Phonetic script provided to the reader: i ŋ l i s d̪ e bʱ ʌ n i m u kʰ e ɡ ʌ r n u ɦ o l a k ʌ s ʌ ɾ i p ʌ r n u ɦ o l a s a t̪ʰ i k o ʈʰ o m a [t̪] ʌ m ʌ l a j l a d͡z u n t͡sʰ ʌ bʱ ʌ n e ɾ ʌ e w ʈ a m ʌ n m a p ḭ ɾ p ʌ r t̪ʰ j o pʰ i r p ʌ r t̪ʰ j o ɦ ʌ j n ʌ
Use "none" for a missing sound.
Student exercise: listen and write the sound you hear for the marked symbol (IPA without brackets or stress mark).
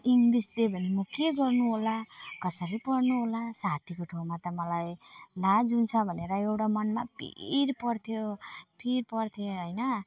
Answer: t̪